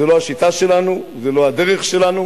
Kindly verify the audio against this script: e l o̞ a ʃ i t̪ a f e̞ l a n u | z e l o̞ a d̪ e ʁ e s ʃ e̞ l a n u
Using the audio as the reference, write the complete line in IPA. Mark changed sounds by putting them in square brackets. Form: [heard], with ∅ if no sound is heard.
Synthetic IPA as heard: e l o̞ a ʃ i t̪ a [ʃ] e̞ l a n u | z e l o̞ a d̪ e ʁ e [χ] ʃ e̞ l a n u